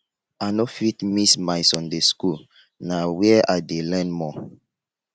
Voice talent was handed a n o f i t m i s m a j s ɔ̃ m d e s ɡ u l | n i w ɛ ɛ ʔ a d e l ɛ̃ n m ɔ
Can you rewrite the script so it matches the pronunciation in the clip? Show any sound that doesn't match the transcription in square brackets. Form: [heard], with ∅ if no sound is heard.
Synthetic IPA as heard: a n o f i t m i s m a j s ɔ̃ [n] d e s [k] u l | n [a] w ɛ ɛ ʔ a d e l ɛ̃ n m ɔ